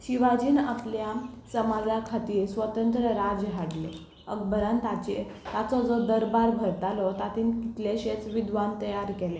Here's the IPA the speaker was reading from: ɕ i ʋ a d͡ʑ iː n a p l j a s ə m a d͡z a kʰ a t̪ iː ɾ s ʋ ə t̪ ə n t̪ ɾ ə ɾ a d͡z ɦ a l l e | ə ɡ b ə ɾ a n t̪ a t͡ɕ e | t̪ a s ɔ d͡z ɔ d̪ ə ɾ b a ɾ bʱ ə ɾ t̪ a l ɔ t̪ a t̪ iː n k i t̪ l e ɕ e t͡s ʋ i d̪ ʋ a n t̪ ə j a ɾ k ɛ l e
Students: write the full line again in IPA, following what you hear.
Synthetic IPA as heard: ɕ i ʋ a d͡ʑ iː n a p l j a s ə m a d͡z a kʰ a t̪ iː ɾ s ʋ ə t̪ ə n t̪ ɾ ə ɾ a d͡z ɦ a ɽ l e | ə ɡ b ə ɾ a n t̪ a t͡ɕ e | t̪ a t͡s ɔ d͡z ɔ d̪ ə ɾ b a ɾ bʱ ə ɾ t̪ a l ɔ t̪ a t̪ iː n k i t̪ l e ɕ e t͡s ʋ i d̪ ʋ a n t̪ ə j a ɾ k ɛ l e